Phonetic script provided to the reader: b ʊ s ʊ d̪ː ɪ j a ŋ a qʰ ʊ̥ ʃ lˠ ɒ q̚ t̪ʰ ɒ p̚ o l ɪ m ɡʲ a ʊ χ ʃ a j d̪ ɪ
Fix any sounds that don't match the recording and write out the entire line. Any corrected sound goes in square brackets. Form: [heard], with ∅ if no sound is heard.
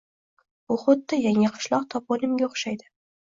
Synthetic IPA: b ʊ [χ] ʊ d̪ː ɪ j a ŋ a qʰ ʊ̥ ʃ lˠ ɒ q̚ t̪ʰ ɒ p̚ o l ɪ m ɡʲ a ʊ χ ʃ a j d̪ ɪ